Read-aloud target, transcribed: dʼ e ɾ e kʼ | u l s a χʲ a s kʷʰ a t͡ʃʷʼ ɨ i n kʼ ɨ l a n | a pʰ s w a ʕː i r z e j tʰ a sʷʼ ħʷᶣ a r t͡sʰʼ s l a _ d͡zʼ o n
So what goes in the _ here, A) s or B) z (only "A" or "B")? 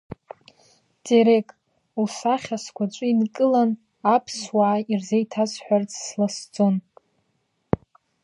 A